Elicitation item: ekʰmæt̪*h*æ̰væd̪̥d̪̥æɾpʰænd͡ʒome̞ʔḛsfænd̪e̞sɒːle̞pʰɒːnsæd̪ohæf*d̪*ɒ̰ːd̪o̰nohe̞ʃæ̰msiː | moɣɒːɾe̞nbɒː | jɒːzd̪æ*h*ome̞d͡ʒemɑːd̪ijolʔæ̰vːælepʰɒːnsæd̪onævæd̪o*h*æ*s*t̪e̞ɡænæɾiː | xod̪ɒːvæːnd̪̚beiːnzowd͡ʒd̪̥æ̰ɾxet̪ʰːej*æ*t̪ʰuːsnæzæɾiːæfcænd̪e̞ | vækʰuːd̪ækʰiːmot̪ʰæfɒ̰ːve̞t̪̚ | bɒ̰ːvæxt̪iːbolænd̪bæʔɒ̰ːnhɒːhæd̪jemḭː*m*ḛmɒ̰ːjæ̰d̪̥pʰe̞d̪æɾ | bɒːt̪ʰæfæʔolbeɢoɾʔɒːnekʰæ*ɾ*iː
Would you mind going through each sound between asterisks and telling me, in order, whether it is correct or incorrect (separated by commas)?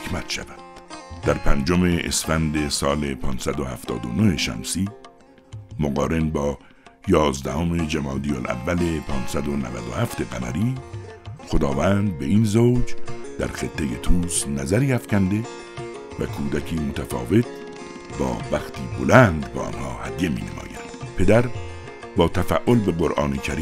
incorrect, incorrect, correct, correct, incorrect, incorrect, incorrect, correct